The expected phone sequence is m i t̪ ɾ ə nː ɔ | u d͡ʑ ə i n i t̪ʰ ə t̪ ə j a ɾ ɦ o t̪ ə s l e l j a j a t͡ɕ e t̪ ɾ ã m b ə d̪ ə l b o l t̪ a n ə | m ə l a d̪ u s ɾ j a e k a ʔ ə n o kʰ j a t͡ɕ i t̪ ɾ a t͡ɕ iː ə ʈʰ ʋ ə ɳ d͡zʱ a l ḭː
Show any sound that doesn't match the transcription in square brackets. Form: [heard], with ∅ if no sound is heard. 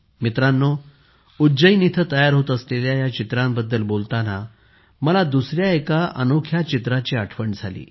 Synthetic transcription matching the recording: m i t̪ ɾ [a] nː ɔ | u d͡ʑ ə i n i t̪ʰ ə t̪ ə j a ɾ ɦ o t̪ ə s l e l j a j a t͡ɕ [i] t̪ ɾ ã m b ə [d̪ː] ə l b o l t̪ a n [a] | m ə l a d̪ u s ɾ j a e k a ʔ ə n o kʰ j a t͡ɕ i t̪ ɾ a t͡ɕ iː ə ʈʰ ʋ ə ɳ d͡zʱ a l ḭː